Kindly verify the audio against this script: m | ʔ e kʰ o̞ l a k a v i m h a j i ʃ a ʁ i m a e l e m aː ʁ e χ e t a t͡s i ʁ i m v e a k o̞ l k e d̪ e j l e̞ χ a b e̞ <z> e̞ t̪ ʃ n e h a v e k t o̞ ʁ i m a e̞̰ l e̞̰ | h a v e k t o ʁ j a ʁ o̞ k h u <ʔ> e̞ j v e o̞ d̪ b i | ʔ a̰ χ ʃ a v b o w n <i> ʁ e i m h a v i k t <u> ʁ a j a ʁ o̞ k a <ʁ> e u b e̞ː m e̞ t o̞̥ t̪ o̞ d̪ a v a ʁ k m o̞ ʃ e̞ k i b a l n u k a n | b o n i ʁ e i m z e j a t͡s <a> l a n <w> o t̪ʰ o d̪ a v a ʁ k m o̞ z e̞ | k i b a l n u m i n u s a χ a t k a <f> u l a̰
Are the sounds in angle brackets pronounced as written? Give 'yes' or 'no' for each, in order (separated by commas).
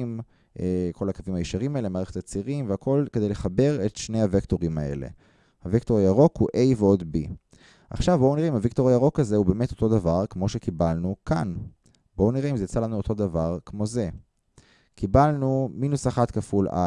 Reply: no, yes, yes, no, no, yes, no, yes